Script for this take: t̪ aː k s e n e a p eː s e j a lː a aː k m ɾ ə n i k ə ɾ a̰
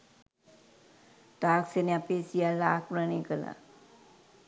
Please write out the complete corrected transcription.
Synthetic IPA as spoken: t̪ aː k s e n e a p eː s i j a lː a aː k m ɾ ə n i k ə l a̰